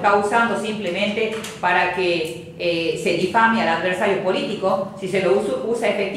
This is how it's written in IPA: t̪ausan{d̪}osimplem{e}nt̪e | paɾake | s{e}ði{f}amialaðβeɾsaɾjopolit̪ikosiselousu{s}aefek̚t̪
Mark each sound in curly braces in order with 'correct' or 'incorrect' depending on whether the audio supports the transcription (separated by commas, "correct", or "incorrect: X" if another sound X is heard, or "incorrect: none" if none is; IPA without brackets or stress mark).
correct, incorrect: ẽ, correct, correct, correct